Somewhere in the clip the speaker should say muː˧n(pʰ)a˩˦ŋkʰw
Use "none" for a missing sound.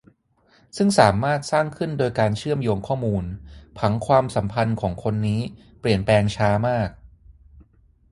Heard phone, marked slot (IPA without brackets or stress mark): pʰ